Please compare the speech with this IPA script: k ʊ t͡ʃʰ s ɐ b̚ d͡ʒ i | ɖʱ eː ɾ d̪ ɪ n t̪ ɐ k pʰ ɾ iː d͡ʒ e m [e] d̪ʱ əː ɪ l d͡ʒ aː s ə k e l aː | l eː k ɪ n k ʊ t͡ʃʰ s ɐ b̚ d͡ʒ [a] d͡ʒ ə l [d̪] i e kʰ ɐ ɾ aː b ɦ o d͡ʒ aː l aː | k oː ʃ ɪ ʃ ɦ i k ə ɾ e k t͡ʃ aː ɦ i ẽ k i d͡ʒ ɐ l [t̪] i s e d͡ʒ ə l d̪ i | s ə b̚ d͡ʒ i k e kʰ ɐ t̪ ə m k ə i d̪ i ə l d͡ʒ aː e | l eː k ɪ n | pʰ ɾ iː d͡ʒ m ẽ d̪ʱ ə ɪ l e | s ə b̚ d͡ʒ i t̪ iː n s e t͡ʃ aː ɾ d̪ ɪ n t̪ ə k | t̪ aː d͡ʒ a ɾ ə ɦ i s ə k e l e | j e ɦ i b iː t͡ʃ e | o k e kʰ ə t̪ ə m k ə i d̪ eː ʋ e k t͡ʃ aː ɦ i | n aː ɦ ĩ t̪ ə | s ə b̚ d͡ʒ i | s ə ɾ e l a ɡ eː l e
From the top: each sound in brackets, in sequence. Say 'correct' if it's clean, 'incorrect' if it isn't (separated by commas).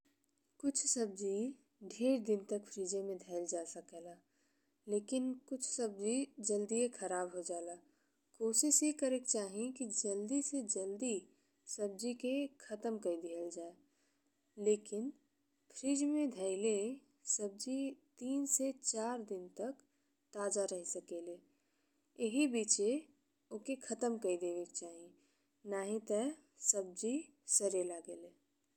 incorrect, incorrect, correct, incorrect